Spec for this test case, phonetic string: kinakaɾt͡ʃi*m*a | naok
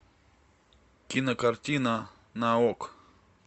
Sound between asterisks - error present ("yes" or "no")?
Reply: yes